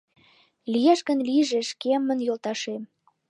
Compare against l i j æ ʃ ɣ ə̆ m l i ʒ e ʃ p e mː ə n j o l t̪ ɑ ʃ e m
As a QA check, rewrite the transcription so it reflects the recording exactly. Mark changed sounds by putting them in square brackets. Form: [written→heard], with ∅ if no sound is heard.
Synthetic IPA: l i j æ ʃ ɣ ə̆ [m→n] l i ʒ e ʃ [p→k] e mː ə n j o l t̪ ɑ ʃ e m